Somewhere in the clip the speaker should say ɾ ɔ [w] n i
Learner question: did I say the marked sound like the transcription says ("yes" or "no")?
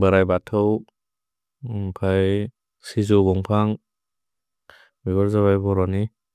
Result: no